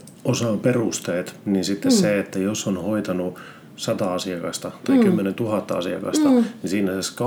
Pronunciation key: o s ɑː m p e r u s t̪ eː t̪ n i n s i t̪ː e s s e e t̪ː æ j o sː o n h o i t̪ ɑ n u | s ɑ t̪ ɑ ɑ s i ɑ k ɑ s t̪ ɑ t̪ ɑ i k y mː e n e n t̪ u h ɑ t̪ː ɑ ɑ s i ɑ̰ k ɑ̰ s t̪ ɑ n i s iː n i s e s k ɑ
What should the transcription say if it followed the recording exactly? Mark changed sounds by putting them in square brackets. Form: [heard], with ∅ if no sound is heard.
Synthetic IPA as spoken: o s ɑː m p e r u s t̪ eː t̪ n i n s i t̪ː e s s e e t̪ː æ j o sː o n h o i t̪ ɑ n u | s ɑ t̪ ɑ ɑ s i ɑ k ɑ s t̪ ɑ t̪ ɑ i k y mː e n e n t̪ u h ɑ t̪ː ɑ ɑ s i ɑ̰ k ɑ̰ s t̪ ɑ n i s iː n [æ] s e s k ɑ